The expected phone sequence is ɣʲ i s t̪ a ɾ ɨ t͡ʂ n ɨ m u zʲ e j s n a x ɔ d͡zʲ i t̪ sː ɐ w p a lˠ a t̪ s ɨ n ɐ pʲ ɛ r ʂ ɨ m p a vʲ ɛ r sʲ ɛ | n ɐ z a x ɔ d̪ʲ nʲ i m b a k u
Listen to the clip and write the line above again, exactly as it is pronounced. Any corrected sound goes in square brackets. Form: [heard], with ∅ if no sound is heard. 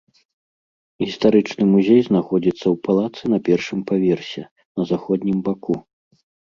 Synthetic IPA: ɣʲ i s t̪ a ɾ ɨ t͡ʂ n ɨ m u zʲ e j [z] n a x ɔ d͡zʲ i t̪ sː ɐ w p a lˠ a t̪ s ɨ n ɐ pʲ ɛ r ʂ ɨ m p a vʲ ɛ r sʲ ɛ | n ɐ z a x ɔ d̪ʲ nʲ i m b a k u